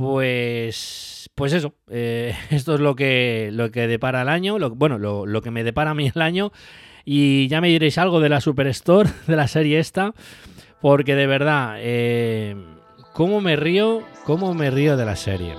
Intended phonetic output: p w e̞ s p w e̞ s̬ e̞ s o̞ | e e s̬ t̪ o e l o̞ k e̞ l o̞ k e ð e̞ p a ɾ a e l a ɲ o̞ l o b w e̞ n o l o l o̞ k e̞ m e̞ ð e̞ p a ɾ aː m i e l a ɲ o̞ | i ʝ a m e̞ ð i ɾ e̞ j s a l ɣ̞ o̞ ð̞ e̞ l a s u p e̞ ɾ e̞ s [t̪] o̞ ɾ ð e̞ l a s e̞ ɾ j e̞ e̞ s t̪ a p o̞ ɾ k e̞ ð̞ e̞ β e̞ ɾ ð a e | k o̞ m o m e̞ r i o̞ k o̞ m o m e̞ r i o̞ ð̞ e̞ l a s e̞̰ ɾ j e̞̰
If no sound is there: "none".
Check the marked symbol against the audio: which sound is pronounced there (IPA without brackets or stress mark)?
t̪